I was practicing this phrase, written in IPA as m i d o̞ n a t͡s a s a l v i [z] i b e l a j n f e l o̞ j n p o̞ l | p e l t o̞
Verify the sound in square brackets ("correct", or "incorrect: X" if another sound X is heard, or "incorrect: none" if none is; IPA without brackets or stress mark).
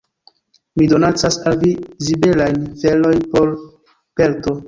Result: correct